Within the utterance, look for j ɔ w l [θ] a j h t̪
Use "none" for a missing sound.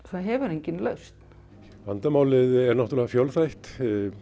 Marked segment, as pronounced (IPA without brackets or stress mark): θ